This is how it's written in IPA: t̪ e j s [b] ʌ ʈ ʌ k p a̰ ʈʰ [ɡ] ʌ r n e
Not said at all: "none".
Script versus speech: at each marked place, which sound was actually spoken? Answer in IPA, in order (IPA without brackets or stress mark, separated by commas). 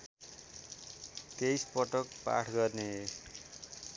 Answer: p, ɡ